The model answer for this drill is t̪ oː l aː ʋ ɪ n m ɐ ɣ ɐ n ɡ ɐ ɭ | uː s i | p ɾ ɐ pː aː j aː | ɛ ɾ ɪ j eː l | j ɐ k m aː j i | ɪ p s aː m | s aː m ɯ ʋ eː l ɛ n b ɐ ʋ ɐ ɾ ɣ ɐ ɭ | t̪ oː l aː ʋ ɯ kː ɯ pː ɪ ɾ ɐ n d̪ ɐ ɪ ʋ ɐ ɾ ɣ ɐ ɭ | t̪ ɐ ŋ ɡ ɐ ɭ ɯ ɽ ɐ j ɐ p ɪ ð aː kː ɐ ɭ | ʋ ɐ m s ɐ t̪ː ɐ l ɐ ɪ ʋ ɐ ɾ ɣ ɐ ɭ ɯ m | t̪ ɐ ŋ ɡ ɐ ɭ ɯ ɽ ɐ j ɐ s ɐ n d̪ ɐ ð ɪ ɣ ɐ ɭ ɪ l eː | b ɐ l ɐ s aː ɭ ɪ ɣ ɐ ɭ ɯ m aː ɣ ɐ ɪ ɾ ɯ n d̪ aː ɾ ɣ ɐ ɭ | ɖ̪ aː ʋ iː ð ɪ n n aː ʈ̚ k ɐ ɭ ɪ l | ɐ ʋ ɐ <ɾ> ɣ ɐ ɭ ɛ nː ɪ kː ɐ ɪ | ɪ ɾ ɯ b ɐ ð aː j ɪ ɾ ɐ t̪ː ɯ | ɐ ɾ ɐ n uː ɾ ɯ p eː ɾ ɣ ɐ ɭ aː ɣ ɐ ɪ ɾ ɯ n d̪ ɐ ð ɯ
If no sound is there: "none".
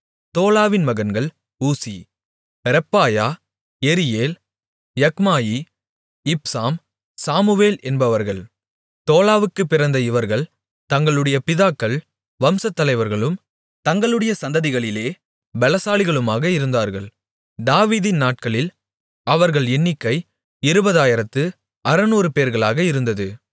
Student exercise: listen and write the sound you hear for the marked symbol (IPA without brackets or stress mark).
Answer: ɾ